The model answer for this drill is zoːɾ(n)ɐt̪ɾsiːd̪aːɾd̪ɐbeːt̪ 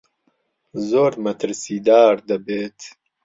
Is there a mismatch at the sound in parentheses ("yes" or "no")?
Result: yes